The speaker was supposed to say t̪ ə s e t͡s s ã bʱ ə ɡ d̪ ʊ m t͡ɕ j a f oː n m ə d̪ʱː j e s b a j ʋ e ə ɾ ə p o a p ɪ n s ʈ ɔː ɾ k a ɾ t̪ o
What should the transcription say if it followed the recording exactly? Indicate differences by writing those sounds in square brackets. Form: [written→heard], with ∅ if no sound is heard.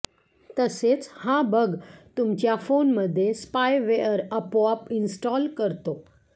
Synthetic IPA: t̪ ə s e t͡s [s→h] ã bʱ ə ɡ [d̪→t̪] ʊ m t͡ɕ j a f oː n m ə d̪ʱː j e s [b→p] a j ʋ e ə ɾ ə p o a p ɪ n s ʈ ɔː [ɾ→l] k [a→ə] ɾ t̪ o